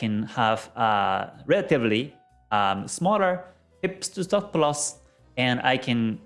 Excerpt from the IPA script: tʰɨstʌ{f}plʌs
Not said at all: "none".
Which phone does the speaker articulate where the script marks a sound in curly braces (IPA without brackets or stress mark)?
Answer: f